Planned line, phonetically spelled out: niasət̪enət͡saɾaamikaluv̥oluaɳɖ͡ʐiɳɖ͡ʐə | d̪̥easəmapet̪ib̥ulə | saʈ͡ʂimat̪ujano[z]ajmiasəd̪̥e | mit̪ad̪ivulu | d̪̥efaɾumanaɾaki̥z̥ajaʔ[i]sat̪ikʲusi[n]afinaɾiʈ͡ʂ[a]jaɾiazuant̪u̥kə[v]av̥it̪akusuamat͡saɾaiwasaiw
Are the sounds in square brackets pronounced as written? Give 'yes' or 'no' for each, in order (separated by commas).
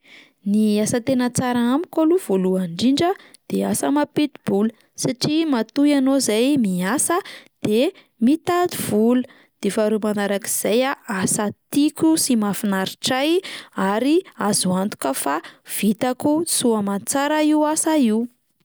yes, no, no, yes, no